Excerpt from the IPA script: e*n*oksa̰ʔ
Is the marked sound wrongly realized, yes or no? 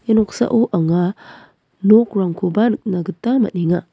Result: no